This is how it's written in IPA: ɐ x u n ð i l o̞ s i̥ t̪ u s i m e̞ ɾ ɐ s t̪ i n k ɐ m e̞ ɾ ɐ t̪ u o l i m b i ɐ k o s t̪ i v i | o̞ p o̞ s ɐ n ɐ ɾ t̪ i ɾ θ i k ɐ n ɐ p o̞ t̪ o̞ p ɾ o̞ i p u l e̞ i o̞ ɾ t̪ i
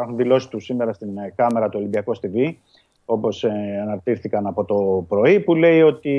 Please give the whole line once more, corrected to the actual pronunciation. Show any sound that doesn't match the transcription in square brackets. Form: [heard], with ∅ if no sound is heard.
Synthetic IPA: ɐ x u n ð i l o̞ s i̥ t̪ u s i m e̞ ɾ ɐ s t̪ i n k ɐ m e̞ ɾ ɐ t̪ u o l i m b i ɐ k o s t̪ i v i | o̞ p o̞ s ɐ n ɐ ɾ t̪ i ɾ θ i k ɐ n ɐ p o̞ t̪ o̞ p ɾ o̞ i p u l e̞ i o̞ [∅] t̪ i